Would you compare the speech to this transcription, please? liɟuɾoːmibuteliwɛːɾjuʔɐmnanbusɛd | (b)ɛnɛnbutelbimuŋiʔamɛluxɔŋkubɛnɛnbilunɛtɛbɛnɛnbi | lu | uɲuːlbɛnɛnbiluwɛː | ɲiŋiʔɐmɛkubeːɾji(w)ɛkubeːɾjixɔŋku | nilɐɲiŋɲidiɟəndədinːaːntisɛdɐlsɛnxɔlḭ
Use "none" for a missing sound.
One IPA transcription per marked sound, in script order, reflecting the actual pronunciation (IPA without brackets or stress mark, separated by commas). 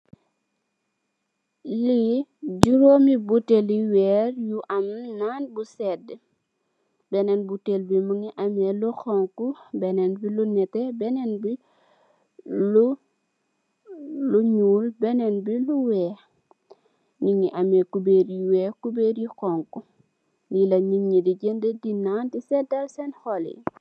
b, w